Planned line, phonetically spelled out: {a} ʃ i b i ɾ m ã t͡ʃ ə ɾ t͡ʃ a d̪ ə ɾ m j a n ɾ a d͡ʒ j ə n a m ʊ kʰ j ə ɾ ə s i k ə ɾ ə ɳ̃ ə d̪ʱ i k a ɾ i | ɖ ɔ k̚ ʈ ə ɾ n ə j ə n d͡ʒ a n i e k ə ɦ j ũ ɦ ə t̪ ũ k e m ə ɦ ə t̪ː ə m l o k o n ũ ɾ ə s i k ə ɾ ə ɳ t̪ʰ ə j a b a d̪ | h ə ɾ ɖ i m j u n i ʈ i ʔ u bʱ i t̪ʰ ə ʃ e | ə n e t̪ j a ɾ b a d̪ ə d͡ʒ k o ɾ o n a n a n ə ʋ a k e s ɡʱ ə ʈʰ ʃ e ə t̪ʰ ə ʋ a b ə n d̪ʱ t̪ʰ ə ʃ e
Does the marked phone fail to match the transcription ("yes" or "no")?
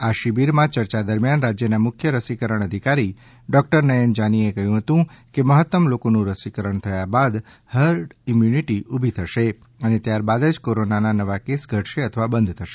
no